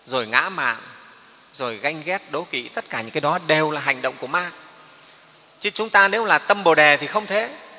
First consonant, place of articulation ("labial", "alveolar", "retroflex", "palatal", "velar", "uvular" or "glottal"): alveolar